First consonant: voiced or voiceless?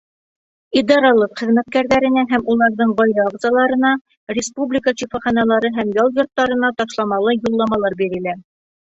voiced